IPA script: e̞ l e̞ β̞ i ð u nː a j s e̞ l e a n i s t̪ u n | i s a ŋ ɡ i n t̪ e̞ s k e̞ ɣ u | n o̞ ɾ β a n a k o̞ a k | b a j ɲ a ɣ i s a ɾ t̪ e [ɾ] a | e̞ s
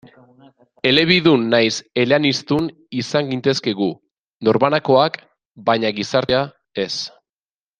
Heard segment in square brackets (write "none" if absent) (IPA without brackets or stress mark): none